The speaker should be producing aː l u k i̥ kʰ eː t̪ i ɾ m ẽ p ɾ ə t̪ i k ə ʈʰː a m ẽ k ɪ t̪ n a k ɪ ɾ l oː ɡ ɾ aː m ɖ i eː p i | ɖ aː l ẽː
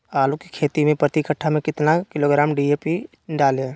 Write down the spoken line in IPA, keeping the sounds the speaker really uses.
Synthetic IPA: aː l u k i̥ kʰ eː t̪ i m ẽ p ɾ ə t̪ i k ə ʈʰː a m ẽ k ɪ t̪ n a k ɪ l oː ɡ ɾ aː m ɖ i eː p i | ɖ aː l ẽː